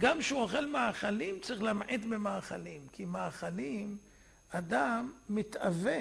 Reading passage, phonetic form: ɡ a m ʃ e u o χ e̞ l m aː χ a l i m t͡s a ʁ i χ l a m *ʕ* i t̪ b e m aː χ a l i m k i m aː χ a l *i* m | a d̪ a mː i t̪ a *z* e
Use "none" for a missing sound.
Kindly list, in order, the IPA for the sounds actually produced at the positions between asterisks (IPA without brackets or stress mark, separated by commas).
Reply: ʕ, i, v